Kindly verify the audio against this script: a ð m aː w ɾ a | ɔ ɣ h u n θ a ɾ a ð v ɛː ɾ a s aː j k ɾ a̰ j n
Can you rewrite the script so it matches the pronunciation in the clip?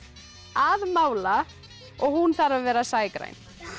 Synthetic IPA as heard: a ð m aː w l a | ɔ ɣ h u n θ a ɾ a v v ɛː ɾ a s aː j k ɾ a̰ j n

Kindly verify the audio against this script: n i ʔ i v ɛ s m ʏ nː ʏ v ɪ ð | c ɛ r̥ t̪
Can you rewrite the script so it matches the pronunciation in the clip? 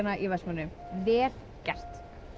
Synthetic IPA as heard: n a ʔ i v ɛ s m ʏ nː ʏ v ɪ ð | c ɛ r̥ t̪

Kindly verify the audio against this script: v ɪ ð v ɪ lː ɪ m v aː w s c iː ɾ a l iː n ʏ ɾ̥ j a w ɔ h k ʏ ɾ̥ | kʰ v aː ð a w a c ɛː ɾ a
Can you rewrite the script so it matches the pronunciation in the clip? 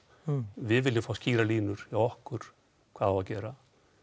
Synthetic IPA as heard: v ɪ ð v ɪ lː ɪ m f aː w s c iː ɾ a l iː n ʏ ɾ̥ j a w ɔ h k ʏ ɾ̥ | kʰ v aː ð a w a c ɛː ɾ a

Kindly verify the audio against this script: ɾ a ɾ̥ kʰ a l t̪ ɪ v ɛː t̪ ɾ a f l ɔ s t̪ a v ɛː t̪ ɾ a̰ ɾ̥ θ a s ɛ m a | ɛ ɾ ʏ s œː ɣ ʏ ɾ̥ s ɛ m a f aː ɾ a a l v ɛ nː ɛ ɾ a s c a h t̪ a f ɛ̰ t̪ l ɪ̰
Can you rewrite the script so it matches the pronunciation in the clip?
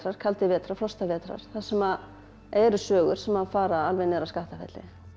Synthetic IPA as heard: ɾ a ɾ̥ kʰ a l t̪ ɪ v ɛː t̪ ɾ a f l ɔ s t̪ a v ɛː t̪ ɾ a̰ ɾ̥ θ a s ɛ m a | ɛ ɾ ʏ s œː ɣ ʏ ɾ̥ s ɛ m a f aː ɾ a a l v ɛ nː ɛ ɾ a s k a h t̪ a f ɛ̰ t̪ l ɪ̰

